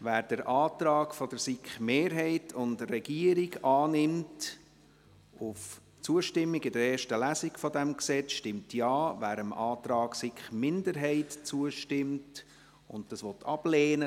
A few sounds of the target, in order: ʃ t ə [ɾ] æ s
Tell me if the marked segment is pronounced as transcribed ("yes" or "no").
no